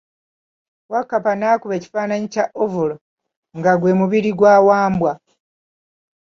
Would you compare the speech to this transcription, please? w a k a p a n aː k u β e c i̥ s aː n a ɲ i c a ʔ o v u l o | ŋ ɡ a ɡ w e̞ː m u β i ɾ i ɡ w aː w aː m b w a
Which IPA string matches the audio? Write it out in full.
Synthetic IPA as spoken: w a k a p a n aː k u β e c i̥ f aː n a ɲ i c a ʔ o v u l o | ŋ ɡ a ɡ w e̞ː m u β i ɾ i ɡ w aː w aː m b w a

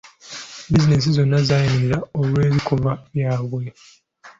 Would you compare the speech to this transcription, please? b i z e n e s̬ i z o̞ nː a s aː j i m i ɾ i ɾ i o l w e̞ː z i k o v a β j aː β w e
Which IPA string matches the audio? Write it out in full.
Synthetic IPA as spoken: b i z i n e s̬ i z o̞ nː a z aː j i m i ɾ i ɾ a o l w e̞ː z i k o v a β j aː β w e

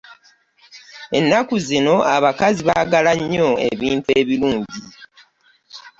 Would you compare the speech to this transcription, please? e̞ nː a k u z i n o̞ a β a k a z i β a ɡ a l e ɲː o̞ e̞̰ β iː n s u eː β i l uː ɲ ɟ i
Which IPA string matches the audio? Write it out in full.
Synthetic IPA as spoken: e̞ nː a k u z i n o̞ a β a k a z i β a ɡ a l a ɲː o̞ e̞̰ β iː n t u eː β i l uː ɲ ɟ i

